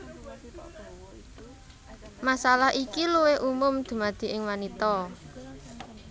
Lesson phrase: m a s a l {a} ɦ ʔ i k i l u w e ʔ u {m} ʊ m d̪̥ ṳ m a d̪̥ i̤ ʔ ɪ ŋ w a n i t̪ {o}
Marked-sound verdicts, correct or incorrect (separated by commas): correct, correct, incorrect